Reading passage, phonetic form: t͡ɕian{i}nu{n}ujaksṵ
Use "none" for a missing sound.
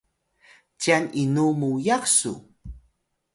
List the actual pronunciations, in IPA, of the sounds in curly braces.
i, m

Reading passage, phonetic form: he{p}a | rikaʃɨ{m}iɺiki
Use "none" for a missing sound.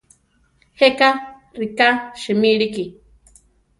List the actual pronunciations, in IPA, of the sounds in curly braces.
k, m

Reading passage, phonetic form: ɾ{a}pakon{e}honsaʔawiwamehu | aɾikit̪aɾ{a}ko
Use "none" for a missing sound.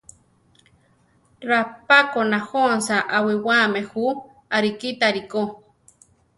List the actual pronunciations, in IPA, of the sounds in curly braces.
a, a, i

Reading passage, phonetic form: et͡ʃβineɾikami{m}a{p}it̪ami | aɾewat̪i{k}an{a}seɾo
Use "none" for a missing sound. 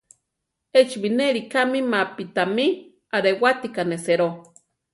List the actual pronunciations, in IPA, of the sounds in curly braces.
m, p, k, e

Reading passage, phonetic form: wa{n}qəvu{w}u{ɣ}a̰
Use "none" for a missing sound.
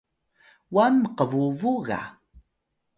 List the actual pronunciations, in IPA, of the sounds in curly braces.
m, v, ɣ

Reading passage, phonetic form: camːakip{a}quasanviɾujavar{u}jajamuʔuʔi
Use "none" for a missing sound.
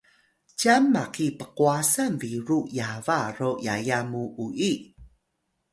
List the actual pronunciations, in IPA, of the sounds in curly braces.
ə, o

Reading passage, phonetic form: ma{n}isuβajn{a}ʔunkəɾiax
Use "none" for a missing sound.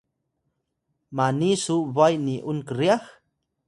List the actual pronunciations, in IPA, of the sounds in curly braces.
n, i

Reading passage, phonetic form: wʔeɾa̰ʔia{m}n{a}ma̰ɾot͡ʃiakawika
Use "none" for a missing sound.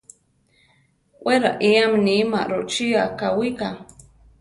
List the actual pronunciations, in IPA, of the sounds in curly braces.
m, i

